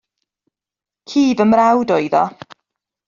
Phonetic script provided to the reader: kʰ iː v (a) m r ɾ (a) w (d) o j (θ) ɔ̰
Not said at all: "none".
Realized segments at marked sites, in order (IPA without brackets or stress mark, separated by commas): ə, a, d, ð